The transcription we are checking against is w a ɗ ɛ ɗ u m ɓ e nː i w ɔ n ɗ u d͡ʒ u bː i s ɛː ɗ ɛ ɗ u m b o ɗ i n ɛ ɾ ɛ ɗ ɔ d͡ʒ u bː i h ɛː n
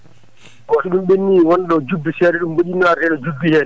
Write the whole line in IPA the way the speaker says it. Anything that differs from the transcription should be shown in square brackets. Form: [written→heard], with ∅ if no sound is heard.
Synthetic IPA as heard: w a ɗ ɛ ɗ u m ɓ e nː i w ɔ n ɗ [u→ɔ] d͡ʒ u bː i s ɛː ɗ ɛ ɗ u m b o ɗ i n [ɛ→a] ɾ ɛ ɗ ɔ d͡ʒ u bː i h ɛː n